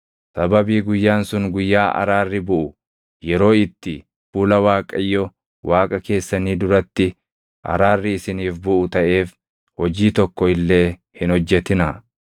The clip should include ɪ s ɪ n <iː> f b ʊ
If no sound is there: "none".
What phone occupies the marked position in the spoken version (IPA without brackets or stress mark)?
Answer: iː